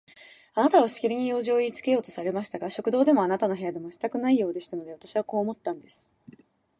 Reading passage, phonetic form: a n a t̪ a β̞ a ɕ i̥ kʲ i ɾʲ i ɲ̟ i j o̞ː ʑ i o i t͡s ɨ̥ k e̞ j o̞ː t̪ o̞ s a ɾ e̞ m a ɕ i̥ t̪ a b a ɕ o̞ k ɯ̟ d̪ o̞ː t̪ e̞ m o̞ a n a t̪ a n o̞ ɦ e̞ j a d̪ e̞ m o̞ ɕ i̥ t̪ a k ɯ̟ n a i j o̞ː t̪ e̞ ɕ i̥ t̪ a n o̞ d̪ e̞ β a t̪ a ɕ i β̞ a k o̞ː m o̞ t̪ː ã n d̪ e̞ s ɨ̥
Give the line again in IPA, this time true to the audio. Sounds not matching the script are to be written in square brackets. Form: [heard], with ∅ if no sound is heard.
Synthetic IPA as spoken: a n a t̪ a β̞ a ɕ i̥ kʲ i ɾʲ i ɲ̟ i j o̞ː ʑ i o i t͡s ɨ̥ k e̞ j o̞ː t̪ o̞ s a ɾ e̞ m a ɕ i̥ t̪ a [ɡ] a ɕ o̞ k ɯ̟ d̪ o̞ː [d̪] e̞ m o̞ a n a t̪ a n o̞ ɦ e̞ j a d̪ e̞ m o̞ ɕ i̥ t̪ a k ɯ̟ n a i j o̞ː [d̪] e̞ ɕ i̥ t̪ a n o̞ d̪ e̞ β a t̪ a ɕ i β̞ a k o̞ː m o̞ t̪ː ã n d̪ e̞ s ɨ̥